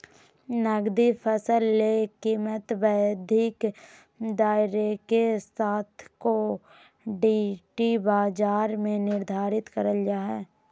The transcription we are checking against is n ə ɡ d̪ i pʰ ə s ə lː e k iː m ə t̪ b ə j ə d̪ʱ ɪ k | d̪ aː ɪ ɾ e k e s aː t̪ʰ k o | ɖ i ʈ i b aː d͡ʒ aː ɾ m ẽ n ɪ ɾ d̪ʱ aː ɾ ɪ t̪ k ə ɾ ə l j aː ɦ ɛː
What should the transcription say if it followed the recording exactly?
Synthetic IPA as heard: n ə ɡ d̪ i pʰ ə s ə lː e k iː m ə t̪ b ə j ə d̪ʱ ɪ k | d̪ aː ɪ ɾ e k e s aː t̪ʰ k o | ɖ i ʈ i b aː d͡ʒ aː ɾ m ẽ n ɪ ɾ d̪ʱ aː ɾ ɪ t̪ k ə ɾ ə l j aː ɦ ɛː